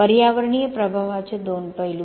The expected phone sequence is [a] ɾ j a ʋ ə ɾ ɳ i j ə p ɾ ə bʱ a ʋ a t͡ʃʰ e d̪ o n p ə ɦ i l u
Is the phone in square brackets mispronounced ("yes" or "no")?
yes